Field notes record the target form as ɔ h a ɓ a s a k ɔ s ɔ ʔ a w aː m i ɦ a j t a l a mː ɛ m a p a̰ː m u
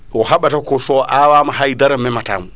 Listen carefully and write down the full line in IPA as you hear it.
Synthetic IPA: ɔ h a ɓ a t a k ɔ s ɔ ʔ a w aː m a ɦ a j d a ɾ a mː ɛ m a t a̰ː m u